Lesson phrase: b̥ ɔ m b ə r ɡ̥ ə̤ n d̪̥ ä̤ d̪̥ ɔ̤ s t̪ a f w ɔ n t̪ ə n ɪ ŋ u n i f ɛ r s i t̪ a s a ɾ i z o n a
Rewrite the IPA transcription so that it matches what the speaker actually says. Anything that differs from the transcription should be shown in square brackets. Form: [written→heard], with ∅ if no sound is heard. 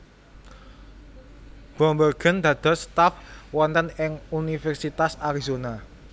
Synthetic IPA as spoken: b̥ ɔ m b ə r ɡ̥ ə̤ n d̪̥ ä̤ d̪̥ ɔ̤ s t̪ a f w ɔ n t̪ ə n ɪ ŋ u n i f ɛ r s i t̪ a s a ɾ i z o n a